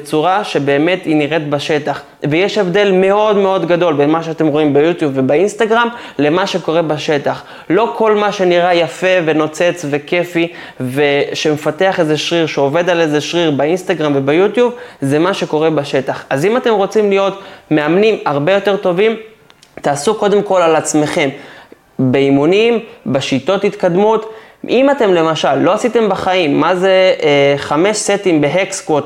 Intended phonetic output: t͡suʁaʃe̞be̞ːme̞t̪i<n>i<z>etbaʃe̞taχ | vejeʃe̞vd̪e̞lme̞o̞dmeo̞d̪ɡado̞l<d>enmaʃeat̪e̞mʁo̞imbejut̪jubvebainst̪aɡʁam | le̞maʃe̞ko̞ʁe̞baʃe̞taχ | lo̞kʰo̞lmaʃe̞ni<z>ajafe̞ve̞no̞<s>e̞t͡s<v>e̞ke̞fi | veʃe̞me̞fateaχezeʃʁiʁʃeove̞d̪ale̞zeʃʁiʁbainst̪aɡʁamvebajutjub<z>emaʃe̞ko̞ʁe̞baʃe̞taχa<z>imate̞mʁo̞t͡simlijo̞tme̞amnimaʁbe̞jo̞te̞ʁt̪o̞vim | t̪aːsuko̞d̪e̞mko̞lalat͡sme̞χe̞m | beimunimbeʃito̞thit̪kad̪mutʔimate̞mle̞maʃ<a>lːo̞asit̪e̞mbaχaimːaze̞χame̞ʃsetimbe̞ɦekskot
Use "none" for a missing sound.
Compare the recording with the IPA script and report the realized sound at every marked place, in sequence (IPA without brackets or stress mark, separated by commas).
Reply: n, ʁ, b, ʁ, t͡s, v, z, z, a